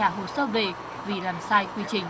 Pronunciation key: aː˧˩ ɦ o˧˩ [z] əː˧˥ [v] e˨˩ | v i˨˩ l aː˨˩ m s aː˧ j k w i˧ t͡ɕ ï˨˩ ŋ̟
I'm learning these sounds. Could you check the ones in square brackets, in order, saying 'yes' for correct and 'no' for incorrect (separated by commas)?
no, yes